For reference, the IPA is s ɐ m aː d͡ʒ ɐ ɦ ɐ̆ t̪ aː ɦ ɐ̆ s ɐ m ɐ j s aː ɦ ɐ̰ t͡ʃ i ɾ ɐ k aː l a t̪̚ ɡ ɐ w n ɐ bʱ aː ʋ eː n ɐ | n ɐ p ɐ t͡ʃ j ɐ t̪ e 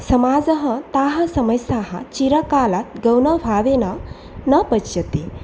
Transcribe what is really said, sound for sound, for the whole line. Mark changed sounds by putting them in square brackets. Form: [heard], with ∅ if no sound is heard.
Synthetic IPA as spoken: s ɐ m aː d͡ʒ ɐ ɦ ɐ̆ t̪ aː ɦ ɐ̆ s ɐ m ɐ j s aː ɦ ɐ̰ t͡ʃ i ɾ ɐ k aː l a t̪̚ ɡ ɐ w n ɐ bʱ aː ʋ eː n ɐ | n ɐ p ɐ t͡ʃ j ɐ t̪ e